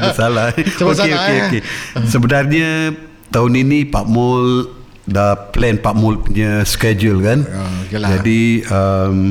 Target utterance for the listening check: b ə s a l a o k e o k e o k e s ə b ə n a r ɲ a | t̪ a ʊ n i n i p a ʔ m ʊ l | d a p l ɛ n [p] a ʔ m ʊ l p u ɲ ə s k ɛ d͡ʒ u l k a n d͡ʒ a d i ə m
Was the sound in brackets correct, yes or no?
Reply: yes